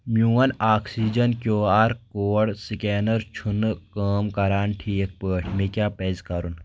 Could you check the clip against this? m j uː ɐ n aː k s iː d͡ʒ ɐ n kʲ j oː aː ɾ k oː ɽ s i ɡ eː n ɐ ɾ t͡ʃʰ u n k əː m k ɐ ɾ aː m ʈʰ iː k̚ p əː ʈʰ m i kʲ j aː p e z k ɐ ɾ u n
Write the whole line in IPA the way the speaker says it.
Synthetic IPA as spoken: m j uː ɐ n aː k s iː d͡ʒ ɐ n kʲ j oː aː ɾ k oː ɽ s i k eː n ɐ ɾ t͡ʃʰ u n k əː m k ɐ ɾ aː n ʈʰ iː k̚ p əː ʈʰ m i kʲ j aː p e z k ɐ ɾ u n